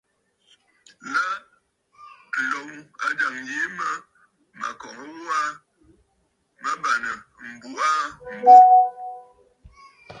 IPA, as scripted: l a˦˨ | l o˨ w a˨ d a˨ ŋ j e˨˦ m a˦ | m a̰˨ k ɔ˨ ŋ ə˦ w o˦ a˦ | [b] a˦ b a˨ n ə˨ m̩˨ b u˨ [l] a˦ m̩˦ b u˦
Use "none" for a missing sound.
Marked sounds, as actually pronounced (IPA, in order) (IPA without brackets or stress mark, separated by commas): m, none